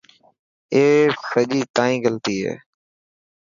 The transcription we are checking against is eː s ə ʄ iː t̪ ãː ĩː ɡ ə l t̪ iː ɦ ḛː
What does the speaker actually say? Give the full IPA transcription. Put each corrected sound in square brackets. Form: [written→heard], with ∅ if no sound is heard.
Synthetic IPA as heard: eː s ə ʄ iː t̪ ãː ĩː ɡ ə l t̪ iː ɦ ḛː